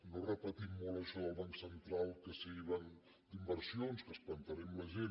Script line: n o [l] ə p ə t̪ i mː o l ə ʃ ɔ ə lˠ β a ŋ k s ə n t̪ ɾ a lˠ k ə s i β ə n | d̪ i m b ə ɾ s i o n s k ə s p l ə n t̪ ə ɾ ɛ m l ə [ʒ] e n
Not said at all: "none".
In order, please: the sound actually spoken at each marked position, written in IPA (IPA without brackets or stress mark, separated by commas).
r, ʒ